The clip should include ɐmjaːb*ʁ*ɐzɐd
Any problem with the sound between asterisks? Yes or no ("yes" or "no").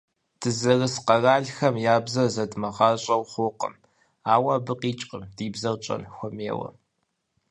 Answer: yes